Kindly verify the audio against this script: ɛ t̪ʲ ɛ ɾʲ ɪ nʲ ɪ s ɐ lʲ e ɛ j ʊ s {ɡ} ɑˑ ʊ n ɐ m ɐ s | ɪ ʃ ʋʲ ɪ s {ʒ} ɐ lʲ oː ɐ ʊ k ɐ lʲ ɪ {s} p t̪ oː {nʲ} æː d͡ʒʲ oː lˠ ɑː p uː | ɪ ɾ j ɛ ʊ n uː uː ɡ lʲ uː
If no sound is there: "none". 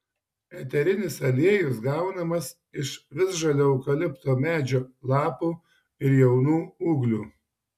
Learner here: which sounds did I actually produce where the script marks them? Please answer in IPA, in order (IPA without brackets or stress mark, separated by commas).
ɡ, ʒ, none, mʲ